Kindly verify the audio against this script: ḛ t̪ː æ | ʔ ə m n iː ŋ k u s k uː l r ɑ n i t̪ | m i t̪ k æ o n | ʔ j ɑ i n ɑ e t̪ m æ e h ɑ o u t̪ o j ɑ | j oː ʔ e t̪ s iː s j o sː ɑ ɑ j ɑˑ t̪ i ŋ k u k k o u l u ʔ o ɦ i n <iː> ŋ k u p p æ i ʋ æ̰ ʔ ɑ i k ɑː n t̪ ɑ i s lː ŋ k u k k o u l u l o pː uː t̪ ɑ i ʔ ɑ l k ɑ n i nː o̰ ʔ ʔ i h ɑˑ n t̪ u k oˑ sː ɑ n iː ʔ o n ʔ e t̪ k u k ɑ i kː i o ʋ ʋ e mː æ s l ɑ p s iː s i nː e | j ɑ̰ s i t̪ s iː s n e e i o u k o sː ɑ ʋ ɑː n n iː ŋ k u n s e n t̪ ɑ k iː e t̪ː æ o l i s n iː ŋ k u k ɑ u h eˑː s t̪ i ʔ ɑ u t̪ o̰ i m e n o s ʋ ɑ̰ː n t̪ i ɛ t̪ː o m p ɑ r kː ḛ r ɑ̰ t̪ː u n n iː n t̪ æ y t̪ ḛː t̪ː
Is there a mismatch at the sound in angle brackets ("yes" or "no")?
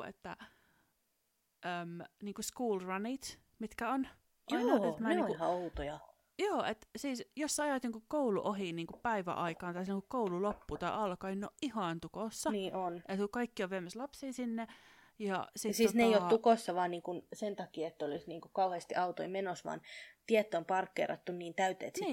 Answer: no